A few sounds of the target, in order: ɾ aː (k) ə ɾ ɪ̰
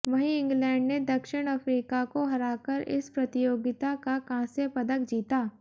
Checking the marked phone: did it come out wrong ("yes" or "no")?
no